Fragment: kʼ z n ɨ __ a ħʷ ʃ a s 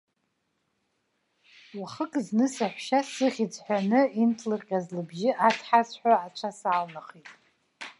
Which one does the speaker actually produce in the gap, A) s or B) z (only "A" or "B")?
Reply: A